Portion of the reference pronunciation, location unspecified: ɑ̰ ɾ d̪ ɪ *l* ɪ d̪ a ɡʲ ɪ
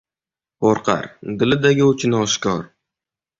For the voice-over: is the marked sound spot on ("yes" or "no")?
yes